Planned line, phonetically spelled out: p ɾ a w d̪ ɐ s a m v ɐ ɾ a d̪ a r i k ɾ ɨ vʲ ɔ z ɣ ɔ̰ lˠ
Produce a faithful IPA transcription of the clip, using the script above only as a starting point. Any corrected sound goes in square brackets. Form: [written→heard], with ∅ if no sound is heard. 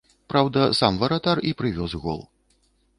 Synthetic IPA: p ɾ a w d̪ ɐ s a m v ɐ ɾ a [d̪→t̪] a r i [k→p] ɾ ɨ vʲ ɔ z ɣ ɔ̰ lˠ